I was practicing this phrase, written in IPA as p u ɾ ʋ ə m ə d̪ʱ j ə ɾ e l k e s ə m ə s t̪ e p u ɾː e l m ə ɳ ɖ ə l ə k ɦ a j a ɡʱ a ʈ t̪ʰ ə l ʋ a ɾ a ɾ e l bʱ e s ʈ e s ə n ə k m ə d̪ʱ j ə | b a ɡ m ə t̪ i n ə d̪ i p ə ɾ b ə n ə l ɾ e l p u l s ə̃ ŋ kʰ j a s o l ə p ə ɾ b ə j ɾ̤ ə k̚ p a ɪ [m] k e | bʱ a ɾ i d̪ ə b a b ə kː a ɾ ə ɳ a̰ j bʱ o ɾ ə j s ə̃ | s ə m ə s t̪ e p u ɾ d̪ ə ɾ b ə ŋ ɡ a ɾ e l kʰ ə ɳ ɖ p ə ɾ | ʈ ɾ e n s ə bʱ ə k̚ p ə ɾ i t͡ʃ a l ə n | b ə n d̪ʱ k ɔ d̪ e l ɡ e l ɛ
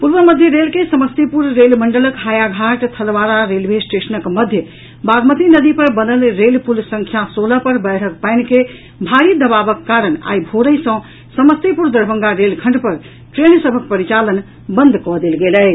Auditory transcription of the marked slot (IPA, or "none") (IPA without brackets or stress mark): n